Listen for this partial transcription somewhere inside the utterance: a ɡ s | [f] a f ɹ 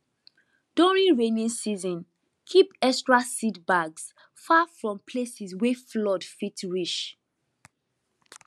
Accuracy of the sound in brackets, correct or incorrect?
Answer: correct